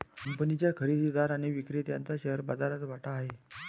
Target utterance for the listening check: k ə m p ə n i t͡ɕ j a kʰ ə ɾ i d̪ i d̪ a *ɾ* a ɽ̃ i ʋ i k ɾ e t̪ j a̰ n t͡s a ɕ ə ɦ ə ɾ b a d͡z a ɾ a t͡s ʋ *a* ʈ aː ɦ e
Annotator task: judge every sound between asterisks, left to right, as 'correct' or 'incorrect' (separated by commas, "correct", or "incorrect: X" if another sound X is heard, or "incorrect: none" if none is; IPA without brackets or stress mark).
correct, correct